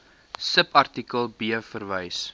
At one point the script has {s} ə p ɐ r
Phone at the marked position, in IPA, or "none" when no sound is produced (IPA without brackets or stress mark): s